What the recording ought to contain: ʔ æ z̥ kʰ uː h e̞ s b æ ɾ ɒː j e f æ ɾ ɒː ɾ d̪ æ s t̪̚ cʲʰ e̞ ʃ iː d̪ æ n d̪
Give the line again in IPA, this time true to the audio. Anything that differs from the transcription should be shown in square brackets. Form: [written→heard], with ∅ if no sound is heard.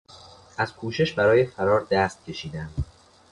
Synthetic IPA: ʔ æ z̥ kʰ uː [h→ʃ] e̞ [s→ʃ] b æ ɾ ɒː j e f æ ɾ ɒː ɾ d̪ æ s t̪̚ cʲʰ e̞ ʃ iː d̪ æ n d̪